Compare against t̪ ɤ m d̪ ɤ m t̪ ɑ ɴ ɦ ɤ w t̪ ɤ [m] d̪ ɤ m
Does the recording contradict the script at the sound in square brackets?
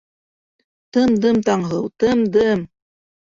no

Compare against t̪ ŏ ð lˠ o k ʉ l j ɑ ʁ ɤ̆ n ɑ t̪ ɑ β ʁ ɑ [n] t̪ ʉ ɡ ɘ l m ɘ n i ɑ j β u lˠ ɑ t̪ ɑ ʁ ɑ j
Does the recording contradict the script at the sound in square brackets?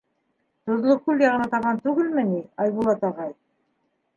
no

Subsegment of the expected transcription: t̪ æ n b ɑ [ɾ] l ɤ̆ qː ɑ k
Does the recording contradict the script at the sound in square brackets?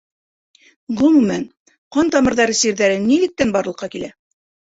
no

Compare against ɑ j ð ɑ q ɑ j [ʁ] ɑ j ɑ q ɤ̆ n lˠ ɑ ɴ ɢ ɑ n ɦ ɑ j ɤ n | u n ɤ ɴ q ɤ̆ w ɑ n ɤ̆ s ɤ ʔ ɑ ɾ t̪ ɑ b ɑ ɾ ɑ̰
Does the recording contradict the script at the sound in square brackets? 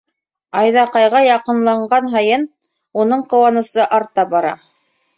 no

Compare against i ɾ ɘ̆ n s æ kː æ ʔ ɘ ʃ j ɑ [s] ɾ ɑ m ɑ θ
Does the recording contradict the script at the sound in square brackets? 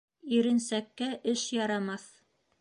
yes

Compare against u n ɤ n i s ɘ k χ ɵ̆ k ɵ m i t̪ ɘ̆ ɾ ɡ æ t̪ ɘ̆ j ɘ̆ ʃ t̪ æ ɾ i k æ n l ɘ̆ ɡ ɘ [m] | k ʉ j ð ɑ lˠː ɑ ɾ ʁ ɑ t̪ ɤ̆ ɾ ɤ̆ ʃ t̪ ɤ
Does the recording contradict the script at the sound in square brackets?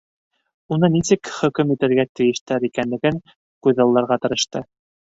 yes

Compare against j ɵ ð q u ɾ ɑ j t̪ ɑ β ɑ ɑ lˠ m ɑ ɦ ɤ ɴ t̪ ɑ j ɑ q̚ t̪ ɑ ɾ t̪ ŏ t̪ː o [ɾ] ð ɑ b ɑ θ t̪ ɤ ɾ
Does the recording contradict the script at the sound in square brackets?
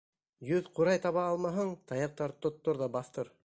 no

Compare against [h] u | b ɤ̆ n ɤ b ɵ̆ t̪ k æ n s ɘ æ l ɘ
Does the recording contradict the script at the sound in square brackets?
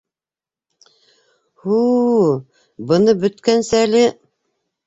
no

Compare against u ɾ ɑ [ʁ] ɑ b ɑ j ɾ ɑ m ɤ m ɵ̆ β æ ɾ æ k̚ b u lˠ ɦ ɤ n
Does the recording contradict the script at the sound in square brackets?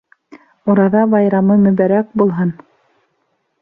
yes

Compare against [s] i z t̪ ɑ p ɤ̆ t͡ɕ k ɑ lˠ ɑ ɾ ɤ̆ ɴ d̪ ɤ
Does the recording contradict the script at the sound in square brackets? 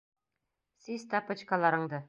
no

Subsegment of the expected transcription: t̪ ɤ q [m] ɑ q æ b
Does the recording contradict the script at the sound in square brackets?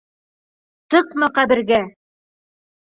no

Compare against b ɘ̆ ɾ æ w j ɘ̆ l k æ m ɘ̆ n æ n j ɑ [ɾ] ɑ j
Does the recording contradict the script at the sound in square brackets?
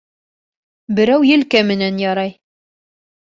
no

